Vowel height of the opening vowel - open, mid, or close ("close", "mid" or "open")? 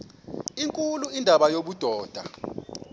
close